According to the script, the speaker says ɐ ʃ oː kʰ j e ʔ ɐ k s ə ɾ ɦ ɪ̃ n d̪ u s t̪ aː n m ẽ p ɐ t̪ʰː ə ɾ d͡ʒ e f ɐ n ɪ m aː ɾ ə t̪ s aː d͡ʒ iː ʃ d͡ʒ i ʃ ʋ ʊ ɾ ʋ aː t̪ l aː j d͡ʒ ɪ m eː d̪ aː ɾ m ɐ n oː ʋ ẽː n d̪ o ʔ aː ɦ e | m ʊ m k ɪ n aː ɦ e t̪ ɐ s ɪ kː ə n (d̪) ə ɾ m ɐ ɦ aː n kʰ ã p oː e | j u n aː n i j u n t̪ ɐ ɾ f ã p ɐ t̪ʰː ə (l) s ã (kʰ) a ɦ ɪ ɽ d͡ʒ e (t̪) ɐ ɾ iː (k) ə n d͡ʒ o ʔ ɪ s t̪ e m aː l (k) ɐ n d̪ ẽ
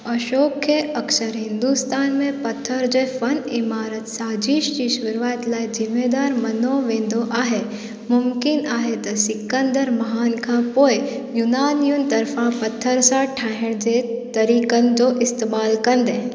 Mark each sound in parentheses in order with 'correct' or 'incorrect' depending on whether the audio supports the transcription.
correct, incorrect: ɾ, incorrect: ʈʰ, correct, correct, correct

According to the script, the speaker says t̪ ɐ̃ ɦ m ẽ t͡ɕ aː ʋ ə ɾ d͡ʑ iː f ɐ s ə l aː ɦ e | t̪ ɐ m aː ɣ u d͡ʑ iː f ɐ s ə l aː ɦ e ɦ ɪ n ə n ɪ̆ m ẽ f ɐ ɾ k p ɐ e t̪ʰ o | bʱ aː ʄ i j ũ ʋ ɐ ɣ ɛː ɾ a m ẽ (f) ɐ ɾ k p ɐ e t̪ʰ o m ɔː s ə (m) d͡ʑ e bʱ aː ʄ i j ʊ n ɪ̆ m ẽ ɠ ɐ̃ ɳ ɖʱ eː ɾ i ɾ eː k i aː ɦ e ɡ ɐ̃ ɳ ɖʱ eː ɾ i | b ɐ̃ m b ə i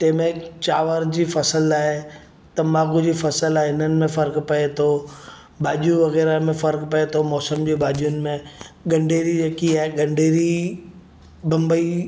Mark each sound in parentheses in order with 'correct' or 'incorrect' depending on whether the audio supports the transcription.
correct, correct

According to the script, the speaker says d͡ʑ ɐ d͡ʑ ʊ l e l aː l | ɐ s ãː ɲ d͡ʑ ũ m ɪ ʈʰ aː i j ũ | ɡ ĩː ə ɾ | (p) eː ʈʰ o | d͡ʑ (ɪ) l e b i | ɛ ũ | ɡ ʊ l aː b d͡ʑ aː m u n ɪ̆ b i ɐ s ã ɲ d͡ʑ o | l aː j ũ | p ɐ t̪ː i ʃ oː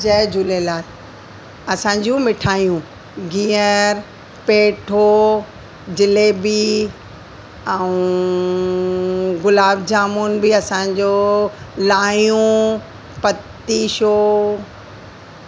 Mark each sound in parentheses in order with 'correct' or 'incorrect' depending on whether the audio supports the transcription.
correct, correct

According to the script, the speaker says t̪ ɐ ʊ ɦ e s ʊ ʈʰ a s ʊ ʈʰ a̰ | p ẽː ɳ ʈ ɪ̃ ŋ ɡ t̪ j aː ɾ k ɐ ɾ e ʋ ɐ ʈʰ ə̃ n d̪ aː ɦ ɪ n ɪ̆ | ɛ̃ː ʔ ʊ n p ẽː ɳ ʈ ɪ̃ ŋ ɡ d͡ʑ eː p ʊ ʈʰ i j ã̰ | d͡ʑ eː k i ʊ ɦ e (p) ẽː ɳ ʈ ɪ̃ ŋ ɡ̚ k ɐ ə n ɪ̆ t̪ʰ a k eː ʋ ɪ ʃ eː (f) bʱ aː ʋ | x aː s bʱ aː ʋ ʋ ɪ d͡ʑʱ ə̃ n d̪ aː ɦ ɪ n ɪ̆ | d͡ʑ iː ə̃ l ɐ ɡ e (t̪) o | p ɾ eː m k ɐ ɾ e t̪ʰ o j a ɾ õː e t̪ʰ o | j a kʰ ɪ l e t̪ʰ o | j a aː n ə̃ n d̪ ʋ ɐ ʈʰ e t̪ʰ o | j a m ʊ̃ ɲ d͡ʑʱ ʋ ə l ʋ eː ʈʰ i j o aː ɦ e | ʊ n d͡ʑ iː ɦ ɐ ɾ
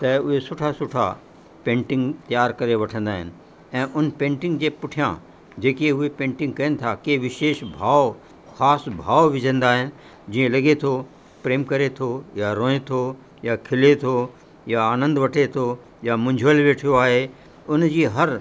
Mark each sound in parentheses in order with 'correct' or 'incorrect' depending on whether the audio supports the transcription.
correct, incorrect: ʃ, incorrect: t̪ʰ

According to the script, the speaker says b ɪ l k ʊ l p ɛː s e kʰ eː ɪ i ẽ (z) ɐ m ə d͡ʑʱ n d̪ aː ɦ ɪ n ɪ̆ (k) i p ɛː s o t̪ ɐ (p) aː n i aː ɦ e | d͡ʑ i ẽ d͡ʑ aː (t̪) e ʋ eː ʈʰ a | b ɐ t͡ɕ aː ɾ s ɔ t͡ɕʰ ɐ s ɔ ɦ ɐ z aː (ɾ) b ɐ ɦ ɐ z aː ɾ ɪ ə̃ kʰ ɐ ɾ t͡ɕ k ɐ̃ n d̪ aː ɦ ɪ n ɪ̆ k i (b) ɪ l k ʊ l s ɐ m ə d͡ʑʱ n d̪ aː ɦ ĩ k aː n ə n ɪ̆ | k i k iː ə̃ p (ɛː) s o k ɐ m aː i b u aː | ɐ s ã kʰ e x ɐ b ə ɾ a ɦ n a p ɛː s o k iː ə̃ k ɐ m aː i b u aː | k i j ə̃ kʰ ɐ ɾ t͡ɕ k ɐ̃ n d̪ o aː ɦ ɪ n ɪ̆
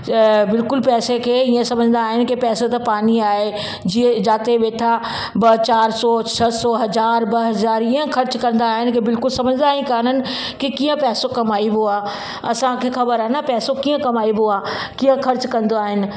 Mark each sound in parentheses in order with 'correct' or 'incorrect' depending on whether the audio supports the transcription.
incorrect: s, correct, correct, correct, correct, correct, correct

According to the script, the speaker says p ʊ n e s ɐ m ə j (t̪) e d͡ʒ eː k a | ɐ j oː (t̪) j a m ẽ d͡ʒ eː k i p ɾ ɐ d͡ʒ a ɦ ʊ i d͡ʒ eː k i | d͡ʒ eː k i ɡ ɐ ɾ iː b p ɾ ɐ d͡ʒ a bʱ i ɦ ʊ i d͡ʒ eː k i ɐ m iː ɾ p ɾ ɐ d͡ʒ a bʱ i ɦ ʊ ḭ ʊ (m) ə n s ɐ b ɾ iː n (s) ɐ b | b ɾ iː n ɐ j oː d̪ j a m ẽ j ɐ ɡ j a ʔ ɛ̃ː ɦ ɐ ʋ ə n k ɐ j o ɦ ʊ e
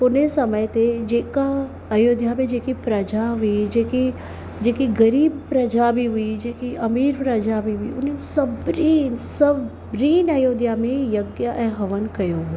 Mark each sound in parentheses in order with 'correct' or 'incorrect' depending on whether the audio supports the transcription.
correct, incorrect: d̪, incorrect: n, correct

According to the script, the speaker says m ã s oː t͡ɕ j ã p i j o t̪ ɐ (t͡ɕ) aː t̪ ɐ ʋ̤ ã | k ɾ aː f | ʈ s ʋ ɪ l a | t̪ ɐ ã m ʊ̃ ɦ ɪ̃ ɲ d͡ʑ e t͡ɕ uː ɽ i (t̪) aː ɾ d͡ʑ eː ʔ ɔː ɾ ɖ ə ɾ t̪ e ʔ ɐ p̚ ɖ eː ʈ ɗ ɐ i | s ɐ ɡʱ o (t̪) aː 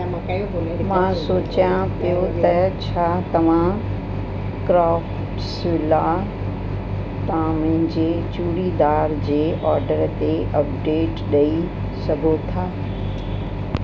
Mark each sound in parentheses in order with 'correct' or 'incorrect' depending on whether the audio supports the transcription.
incorrect: t͡ɕʰ, incorrect: d̪, incorrect: t̪ʰ

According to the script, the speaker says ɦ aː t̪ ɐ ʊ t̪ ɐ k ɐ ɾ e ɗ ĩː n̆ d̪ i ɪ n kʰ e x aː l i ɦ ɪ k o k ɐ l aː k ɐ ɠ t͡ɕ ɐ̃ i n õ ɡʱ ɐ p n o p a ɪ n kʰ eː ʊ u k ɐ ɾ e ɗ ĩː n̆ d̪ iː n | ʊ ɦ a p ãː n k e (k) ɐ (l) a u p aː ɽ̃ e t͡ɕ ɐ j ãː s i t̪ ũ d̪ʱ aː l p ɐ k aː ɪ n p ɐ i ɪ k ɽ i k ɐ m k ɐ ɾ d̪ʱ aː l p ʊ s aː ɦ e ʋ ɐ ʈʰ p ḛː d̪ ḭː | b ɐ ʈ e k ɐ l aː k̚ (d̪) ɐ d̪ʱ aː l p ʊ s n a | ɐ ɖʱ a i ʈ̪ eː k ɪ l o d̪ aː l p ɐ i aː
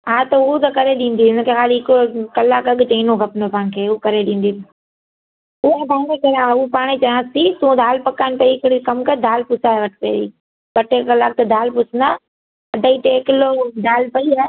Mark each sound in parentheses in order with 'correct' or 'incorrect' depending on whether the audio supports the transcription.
correct, incorrect: ɾ, incorrect: t̪

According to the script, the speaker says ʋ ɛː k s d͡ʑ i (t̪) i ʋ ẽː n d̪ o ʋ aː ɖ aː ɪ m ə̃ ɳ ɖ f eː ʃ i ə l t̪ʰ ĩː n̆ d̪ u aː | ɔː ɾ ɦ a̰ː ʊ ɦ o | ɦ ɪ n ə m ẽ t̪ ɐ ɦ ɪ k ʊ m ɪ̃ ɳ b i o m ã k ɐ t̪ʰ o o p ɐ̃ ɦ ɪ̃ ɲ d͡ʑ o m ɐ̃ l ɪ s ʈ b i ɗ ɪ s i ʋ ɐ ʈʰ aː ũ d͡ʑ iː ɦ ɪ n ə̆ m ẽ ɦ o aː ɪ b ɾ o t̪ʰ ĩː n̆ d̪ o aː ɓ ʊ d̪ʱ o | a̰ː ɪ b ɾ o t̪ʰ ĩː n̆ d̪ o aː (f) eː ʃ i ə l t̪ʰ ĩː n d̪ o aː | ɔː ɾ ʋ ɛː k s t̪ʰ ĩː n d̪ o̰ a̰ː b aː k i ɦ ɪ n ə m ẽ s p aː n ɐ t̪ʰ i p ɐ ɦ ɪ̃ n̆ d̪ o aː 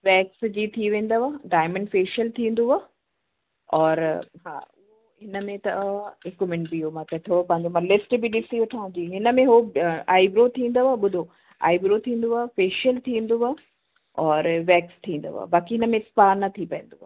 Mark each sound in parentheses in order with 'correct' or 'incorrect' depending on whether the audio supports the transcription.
incorrect: t̪ʰ, correct

